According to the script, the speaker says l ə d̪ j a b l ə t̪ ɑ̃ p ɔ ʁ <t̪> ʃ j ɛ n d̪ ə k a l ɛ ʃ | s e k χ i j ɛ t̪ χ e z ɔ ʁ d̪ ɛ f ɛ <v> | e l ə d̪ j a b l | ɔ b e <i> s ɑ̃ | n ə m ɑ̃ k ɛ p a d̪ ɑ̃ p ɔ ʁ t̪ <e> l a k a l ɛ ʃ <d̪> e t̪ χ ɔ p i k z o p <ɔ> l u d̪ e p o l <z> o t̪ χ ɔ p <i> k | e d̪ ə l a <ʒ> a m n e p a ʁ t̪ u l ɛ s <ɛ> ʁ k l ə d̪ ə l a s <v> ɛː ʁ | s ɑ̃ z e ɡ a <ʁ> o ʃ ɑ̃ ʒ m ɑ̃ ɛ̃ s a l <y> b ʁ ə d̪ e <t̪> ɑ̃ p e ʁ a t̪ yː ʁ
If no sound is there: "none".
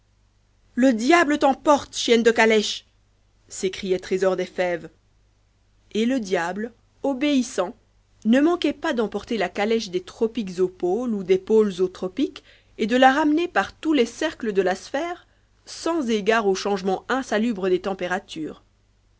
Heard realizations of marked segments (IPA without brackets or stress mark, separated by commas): t̪, v, i, e, d̪, o, z, i, ʁ, ɛ, f, ʁ, y, t̪